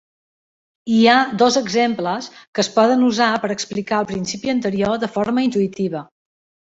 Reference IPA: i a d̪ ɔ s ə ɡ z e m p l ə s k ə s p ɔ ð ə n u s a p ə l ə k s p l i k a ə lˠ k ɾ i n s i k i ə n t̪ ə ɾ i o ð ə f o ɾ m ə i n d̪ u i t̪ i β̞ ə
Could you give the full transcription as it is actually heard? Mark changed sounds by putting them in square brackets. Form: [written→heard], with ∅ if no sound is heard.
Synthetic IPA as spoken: i a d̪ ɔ [s→z] ə ɡ z e m p l ə s k ə s p ɔ ð ə n u [s→z] a p ə [l→ɾ] ə k s p l i k a ə lˠ [k→p] ɾ i n s i [k→p] i ə n t̪ ə ɾ i o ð ə f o ɾ m ə i n [d̪→t̪] u i t̪ i β̞ ə